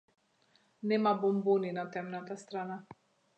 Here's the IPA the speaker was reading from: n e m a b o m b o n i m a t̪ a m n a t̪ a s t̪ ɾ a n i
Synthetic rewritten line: n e m a b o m b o n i n a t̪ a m n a t̪ a s t̪ ɾ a n a